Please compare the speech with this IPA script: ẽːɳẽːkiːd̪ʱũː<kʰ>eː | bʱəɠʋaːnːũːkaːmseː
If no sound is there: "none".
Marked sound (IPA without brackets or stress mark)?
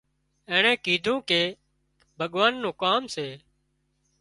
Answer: k